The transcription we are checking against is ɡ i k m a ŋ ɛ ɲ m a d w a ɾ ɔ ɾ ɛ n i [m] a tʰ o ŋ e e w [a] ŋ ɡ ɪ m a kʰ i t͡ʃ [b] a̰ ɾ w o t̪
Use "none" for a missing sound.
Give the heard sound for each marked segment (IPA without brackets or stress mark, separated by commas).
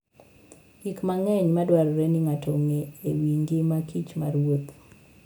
ŋ, i, m